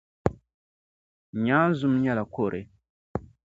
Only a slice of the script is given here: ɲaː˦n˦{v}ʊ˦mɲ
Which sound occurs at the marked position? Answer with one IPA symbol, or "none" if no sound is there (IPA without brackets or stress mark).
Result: z